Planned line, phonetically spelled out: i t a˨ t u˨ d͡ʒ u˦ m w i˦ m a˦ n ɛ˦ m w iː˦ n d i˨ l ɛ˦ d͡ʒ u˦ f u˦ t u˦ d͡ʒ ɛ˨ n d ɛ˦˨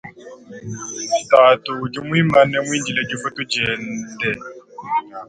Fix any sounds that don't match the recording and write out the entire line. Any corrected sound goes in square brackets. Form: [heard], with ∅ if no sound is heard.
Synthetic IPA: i t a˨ t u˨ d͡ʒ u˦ m w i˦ m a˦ n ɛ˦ m w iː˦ n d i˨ l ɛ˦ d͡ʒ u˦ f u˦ t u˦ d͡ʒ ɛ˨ n d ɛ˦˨